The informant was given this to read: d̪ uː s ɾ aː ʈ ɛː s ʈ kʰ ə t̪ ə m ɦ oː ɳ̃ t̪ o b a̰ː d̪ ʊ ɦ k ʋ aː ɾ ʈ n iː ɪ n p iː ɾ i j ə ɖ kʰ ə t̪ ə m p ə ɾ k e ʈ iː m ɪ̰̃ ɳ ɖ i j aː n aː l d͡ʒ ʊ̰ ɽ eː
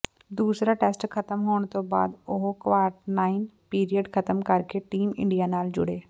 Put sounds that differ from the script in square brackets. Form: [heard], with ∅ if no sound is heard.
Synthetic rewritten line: d̪ uː s ɾ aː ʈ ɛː s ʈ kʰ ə t̪ ə m ɦ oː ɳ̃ t̪ o b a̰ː d̪ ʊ ɦ k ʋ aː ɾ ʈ n [aː] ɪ n p iː ɾ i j ə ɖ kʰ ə t̪ ə m [k] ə ɾ k e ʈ iː m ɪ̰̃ ɳ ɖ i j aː n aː l d͡ʒ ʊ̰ ɽ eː